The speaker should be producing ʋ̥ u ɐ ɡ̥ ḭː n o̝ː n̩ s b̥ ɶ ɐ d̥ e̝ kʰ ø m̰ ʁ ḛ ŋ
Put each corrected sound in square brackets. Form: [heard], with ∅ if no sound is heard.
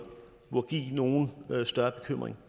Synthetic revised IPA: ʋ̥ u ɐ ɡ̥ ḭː n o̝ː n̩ s [d̥] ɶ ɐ [b̥] e̝ kʰ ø m̰ ʁ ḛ ŋ